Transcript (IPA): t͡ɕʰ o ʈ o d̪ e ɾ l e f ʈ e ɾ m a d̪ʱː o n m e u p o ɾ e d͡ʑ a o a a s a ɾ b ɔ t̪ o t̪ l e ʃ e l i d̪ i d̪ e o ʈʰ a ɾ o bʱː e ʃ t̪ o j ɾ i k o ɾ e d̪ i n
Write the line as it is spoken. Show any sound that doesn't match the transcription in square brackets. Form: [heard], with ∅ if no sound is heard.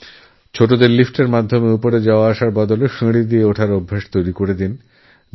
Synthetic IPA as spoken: t͡ɕʰ o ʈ o d̪ e ɾ l [i] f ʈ e ɾ m a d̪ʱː o [∅] m e u p o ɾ e d͡ʑ a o a a [ʃ] a ɾ b ɔ [d̪] o [∅] l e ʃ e [ɽ] i d̪ i [∅] e o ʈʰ a ɾ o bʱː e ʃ t̪ o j ɾ i k o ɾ e d̪ i n